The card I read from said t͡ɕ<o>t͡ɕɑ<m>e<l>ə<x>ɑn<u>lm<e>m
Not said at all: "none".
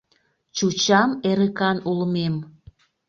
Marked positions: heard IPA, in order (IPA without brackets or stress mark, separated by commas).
u, m, ɾ, k, u, e